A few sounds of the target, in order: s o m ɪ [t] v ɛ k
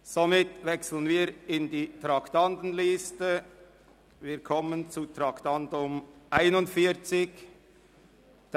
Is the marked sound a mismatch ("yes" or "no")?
no